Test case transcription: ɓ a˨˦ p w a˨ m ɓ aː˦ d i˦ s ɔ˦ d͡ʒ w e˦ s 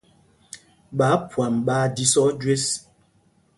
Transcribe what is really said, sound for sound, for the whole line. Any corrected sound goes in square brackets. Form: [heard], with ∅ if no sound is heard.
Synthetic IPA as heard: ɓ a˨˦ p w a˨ m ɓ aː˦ d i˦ s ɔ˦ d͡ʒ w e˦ s